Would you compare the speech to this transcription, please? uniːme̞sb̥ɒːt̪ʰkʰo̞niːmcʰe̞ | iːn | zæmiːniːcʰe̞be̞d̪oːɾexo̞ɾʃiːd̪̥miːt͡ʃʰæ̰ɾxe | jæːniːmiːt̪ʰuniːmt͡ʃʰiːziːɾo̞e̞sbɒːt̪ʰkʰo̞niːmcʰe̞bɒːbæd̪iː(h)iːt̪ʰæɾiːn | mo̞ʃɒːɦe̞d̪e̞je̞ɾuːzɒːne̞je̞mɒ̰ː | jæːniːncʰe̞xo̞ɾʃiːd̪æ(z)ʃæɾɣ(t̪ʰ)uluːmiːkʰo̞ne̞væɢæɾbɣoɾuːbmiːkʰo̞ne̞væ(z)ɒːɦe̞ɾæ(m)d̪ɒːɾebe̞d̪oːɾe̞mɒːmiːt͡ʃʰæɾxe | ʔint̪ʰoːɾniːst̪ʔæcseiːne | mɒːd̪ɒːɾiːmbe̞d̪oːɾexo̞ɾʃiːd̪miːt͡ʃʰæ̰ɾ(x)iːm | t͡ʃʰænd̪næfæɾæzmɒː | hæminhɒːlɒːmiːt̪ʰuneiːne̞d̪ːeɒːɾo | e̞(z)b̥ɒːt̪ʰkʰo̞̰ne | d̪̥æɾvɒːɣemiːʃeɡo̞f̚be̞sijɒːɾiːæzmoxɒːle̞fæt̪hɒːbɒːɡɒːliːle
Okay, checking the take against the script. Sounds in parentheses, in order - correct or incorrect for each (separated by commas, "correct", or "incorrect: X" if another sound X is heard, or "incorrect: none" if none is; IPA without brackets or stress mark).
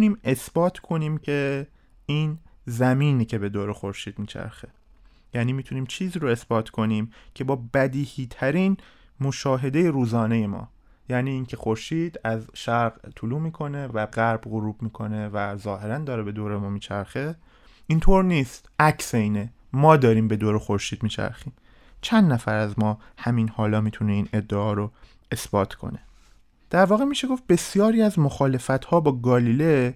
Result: correct, correct, correct, correct, incorrect: n, correct, incorrect: s